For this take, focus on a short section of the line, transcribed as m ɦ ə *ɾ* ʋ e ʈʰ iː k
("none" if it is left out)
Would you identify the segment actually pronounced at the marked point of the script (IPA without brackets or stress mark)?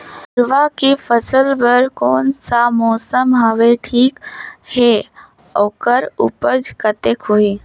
none